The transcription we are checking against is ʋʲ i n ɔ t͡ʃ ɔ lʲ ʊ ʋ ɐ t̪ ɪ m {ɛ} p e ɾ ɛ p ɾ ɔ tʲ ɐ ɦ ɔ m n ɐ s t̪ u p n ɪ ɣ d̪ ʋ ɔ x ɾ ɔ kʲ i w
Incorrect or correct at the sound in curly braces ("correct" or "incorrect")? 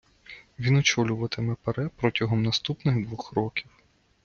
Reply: correct